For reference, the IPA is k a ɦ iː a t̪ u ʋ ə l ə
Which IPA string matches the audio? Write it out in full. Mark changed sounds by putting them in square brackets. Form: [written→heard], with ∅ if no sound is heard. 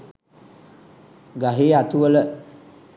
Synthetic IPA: [k→ɡ] a ɦ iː a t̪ u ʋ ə l ə